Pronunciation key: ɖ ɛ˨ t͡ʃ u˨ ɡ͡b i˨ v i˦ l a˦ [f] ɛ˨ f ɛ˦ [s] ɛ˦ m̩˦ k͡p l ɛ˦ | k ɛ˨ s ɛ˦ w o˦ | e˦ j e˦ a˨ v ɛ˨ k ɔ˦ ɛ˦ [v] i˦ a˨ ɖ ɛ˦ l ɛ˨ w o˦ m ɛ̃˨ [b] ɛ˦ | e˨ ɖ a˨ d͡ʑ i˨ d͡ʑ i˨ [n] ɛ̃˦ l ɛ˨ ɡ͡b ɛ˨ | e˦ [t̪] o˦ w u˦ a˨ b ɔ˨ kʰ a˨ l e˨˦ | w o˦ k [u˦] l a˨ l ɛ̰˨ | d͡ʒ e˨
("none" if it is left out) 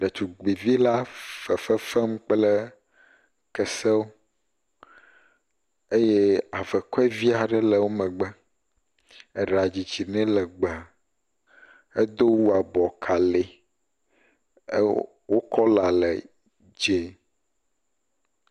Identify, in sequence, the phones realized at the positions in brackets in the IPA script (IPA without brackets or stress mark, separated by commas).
f, f, v, ɡ͡b, n, d̪, ɔ˦